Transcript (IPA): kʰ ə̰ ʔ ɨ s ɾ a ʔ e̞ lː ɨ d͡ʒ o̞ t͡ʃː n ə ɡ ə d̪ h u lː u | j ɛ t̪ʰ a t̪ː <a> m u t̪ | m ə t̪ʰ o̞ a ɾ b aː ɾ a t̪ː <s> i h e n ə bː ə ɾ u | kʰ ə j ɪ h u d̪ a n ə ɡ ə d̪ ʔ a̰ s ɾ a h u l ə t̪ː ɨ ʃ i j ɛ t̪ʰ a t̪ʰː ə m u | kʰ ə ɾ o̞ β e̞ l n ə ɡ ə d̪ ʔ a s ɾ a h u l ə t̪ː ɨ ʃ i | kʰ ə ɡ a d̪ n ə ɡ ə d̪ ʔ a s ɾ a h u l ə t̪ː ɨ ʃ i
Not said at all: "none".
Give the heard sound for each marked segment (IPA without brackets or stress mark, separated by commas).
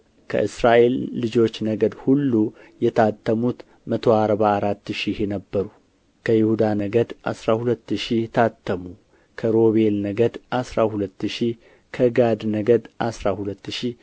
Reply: ə, ʃ